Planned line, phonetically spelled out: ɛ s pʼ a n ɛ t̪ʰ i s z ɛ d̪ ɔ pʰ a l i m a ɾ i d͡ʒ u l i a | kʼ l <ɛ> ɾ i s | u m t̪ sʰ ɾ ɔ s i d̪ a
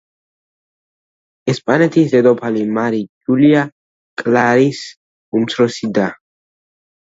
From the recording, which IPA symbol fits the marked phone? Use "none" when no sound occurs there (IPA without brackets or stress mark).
a